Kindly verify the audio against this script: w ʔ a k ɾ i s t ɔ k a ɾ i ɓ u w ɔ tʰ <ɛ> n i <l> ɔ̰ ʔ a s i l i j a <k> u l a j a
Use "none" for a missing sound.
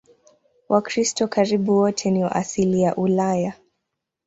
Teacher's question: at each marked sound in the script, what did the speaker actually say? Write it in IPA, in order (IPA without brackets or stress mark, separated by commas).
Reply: ɛ, none, ʔ